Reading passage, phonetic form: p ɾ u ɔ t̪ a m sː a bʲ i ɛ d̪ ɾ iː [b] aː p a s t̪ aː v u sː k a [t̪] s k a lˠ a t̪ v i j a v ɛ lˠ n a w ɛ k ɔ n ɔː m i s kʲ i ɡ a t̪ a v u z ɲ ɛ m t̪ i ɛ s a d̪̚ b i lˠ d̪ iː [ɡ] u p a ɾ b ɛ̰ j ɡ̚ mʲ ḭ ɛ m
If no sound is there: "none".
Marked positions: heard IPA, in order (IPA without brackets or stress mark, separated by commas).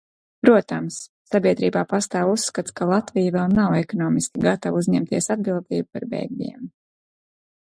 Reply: b, t̪, b